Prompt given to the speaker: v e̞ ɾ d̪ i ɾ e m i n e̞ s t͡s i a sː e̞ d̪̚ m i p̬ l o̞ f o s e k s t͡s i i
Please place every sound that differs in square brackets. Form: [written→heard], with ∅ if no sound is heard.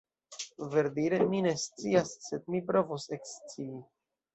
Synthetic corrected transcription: v e̞ ɾ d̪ i ɾ e m i n e̞ s t͡s i a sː e̞ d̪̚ m i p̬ [l→ɾ] o̞ [f→v] o s e k s t͡s i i